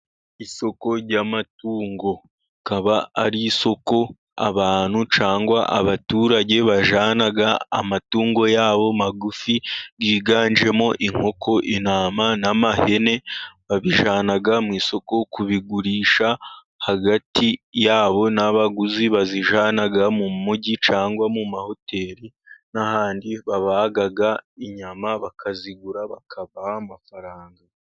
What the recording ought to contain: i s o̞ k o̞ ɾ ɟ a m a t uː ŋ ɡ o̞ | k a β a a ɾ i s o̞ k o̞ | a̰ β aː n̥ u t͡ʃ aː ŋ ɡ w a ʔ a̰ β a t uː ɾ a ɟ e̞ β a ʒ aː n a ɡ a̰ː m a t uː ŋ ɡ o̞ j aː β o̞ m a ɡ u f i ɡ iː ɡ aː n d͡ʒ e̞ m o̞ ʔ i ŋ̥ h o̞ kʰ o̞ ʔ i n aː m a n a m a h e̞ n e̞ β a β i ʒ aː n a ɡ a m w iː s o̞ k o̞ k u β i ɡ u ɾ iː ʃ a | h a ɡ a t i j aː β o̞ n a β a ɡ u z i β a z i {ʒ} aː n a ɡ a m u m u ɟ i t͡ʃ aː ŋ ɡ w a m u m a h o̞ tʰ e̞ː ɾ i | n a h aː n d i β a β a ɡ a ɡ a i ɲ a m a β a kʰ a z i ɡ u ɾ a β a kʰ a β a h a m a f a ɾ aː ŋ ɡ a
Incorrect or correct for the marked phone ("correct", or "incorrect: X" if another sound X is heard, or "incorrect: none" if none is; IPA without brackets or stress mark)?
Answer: correct